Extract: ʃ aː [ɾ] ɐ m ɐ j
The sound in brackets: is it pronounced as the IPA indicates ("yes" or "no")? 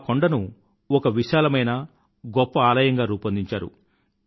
no